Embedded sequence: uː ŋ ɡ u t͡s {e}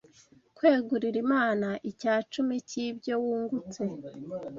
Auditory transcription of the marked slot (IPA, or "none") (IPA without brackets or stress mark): e